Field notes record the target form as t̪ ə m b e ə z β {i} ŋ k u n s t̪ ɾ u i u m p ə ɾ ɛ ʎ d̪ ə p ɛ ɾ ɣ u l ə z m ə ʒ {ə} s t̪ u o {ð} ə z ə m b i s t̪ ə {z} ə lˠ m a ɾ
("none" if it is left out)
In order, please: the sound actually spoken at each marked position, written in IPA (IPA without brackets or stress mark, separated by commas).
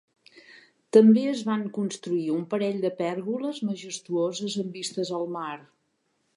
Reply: a, ə, z, z